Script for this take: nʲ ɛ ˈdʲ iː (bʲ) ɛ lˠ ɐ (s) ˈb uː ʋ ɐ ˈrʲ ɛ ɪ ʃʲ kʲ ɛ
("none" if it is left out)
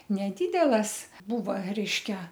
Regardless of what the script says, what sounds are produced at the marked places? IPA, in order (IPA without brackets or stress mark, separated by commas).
dʲ, s